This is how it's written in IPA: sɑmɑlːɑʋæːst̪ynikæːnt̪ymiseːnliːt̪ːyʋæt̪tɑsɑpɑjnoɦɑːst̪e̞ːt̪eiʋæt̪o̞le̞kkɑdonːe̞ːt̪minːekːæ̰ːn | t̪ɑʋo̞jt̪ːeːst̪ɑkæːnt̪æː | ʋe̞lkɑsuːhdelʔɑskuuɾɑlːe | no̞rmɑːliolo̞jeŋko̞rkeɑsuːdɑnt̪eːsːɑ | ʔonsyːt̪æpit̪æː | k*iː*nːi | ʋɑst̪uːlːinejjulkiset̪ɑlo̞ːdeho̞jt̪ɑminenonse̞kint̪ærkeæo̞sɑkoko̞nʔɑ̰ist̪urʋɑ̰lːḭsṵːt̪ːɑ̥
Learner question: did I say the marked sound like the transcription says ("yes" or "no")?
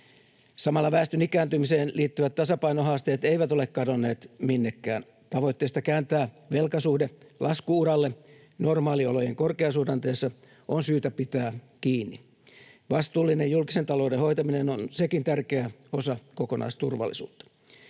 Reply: yes